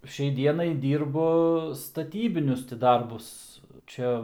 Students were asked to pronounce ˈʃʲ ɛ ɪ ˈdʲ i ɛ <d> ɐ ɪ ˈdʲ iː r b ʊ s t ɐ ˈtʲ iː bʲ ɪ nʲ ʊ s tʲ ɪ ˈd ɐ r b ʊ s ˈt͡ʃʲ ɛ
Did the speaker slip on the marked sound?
yes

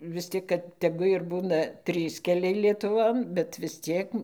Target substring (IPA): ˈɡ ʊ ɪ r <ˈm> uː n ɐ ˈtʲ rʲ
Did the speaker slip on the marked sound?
yes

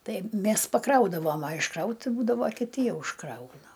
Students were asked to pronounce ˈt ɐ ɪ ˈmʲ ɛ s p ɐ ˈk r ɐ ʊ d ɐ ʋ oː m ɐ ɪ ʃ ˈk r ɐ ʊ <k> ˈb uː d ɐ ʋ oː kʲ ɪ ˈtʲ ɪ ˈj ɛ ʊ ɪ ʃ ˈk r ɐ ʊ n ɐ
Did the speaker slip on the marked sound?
yes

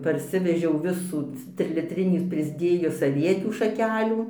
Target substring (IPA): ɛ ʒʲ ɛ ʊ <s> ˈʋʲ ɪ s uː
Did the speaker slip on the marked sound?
yes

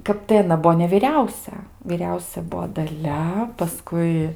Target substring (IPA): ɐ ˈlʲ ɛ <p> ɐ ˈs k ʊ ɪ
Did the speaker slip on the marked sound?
no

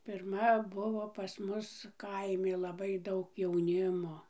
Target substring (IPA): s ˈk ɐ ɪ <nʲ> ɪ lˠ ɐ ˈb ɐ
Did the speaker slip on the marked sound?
yes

